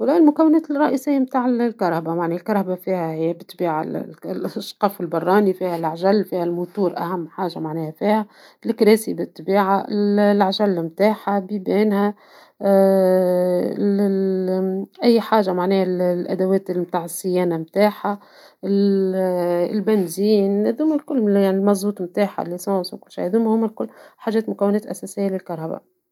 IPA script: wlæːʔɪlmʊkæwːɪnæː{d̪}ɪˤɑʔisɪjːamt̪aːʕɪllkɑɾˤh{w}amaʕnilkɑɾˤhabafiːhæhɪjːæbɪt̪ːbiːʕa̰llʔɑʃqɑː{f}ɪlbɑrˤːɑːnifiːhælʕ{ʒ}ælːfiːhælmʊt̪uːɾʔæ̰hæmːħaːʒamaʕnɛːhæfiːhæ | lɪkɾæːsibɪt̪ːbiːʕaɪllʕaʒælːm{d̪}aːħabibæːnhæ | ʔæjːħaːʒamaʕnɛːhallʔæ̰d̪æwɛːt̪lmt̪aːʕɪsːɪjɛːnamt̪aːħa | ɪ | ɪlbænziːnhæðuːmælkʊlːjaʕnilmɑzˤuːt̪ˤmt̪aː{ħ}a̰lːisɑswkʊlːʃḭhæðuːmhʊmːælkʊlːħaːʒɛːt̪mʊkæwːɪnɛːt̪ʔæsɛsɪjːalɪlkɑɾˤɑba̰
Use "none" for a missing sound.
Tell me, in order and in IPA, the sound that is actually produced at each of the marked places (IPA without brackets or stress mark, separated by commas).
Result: t̪, b, f, ʒ, t̪, ħ